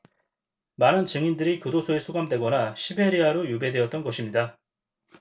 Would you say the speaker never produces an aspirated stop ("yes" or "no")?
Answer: yes